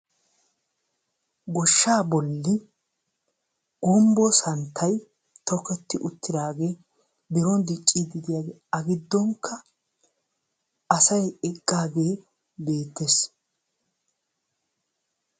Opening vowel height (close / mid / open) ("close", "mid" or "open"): mid